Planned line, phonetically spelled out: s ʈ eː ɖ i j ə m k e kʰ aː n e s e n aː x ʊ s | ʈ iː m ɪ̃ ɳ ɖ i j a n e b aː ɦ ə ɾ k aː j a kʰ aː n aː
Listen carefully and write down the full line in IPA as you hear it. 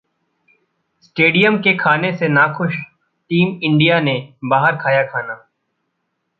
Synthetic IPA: s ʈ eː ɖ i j ə m k e kʰ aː n e s e n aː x ʊ ʃ | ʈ iː m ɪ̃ ɳ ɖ i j a n e b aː ɦ ə ɾ kʰ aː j a kʰ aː n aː